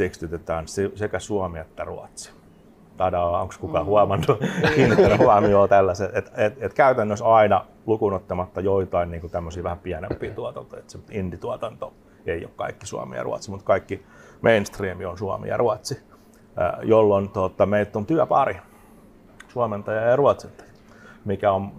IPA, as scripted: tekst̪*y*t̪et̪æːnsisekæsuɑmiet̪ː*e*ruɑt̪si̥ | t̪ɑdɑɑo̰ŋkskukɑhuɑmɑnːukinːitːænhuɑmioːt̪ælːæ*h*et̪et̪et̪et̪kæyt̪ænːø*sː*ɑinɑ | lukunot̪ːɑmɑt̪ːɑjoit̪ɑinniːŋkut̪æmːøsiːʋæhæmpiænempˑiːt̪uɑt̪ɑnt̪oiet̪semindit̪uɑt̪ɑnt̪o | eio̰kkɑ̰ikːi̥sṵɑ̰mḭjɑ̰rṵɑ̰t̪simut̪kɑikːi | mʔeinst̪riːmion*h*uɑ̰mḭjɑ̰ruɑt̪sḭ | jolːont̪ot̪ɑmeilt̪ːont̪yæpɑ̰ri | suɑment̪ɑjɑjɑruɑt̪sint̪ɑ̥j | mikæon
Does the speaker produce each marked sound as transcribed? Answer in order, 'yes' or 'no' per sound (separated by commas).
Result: yes, no, no, no, no